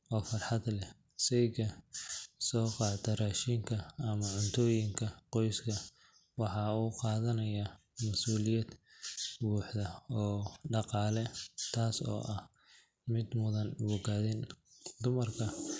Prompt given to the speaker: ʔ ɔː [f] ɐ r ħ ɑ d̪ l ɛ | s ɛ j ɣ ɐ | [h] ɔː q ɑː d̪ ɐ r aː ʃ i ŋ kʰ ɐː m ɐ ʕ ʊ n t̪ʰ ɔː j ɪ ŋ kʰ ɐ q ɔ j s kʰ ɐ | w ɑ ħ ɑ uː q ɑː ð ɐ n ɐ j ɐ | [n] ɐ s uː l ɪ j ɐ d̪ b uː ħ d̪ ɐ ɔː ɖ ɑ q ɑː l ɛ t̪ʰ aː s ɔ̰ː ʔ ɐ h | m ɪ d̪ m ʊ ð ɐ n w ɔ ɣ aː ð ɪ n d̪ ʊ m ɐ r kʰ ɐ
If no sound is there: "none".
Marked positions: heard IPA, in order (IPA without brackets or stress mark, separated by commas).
f, s, m